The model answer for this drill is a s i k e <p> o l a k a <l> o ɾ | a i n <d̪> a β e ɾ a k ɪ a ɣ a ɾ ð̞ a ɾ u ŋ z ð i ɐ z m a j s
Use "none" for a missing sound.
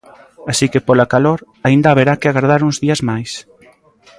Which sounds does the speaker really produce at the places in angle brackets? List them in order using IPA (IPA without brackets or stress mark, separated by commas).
p, l, d̪